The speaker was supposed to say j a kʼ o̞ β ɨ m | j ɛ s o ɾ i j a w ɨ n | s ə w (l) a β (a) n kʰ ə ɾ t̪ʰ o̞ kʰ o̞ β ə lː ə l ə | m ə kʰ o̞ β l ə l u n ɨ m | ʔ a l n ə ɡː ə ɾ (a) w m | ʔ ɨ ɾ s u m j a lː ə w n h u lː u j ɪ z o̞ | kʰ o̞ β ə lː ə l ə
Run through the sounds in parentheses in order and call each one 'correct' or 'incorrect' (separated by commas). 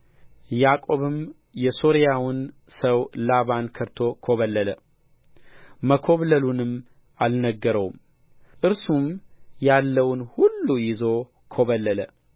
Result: correct, correct, incorrect